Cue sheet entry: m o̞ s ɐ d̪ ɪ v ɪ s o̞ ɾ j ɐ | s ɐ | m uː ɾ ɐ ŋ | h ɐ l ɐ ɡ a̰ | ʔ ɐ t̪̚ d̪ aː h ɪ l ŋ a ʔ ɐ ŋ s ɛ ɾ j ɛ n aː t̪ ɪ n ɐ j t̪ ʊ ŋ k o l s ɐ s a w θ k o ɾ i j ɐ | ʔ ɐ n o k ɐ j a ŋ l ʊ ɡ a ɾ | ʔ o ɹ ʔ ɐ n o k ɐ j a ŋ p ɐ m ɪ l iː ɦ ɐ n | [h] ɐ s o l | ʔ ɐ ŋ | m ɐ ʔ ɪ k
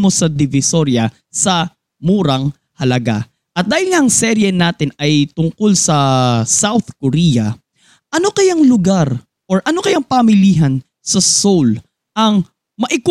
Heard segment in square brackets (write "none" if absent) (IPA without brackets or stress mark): s